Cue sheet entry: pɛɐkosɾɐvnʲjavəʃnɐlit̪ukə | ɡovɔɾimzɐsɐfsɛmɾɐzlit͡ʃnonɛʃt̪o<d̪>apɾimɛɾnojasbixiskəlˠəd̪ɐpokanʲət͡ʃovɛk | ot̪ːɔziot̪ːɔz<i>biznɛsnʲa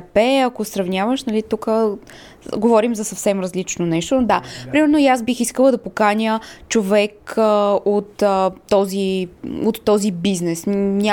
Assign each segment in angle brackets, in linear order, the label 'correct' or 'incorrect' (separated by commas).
correct, correct